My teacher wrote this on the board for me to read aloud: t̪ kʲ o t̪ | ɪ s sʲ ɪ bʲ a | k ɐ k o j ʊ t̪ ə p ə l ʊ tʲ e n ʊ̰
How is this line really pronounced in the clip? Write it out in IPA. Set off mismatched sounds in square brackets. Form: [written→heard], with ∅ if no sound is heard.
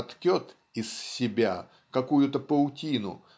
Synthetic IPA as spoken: t̪ kʲ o t̪ | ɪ s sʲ ɪ bʲ a | k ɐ k [o→u] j ʊ t̪ ə p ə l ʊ tʲ [e→i] n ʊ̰